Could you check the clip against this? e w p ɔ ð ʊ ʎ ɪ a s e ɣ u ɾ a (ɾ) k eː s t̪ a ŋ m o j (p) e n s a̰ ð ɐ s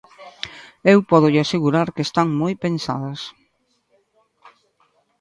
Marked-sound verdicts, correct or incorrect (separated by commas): correct, correct